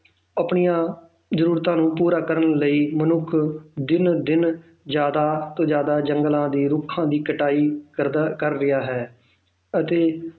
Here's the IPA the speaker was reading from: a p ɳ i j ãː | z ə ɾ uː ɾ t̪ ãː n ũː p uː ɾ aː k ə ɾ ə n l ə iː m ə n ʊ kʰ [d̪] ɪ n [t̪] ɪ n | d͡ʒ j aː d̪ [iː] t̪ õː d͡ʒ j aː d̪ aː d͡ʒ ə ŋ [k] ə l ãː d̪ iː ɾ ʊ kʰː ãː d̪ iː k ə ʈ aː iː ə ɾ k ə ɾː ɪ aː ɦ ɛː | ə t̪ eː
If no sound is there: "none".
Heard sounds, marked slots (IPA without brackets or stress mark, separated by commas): d̪, d̪, aː, ɡ